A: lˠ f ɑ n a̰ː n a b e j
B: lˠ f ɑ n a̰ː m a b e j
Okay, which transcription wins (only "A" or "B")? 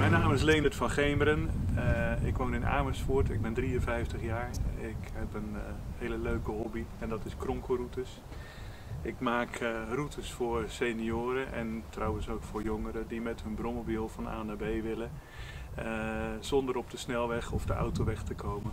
A